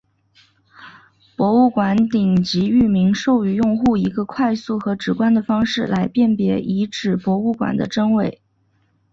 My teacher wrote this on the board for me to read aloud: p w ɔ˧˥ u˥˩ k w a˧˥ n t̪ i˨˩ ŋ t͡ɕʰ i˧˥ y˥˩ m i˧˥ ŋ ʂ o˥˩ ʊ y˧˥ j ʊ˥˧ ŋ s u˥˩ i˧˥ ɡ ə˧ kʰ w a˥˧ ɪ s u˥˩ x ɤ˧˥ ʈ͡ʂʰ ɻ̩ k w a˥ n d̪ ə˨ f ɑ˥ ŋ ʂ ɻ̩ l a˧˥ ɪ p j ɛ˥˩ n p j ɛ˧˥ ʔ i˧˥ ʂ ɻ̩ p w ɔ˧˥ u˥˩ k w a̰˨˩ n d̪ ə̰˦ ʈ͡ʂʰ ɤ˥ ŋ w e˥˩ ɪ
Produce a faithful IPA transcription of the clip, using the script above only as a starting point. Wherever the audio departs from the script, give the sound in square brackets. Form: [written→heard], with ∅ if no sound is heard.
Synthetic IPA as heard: p w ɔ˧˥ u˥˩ k w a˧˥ n t̪ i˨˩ ŋ [t͡ɕʰ→t͡ɕ] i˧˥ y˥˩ m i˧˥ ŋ ʂ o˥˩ ʊ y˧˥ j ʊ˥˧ ŋ [s→x] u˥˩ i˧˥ ɡ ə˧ kʰ w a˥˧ ɪ s u˥˩ x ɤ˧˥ [ʈ͡ʂʰ→ʈ͡ʂ] ɻ̩ k w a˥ n d̪ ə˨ f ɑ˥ ŋ ʂ ɻ̩ l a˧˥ ɪ p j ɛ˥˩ n p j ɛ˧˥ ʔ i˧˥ [ʂ→ʈ͡ʂ] ɻ̩ p w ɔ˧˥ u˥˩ k w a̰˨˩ n d̪ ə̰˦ [ʈ͡ʂʰ→ʈ͡ʂ] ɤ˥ ŋ w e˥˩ ɪ